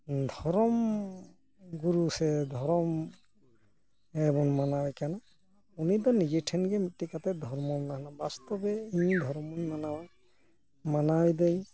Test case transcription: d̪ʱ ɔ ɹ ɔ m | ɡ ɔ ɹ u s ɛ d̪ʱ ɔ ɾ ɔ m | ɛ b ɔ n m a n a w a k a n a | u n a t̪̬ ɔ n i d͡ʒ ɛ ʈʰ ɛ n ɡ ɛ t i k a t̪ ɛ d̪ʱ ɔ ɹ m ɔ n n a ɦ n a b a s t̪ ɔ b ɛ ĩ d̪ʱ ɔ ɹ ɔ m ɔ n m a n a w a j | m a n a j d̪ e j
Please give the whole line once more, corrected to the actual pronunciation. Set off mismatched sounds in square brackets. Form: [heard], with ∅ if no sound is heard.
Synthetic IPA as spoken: d̪ʱ ɔ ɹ ɔ m | ɡ [u] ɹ u s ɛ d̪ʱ ɔ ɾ ɔ m | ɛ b ɔ n m a n a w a k a n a | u n [i] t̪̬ ɔ n i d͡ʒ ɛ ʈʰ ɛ n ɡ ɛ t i k a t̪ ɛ d̪ʱ ɔ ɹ m ɔ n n a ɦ n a b a s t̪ ɔ b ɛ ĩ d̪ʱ ɔ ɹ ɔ m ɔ n m a n a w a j | m a n a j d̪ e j